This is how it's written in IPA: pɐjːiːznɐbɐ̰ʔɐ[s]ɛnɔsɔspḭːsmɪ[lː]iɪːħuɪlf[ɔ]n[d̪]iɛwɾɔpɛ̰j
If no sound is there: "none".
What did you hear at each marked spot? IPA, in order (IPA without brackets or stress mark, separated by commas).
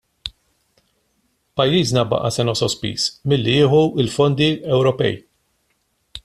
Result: s, lː, ɔ, d̪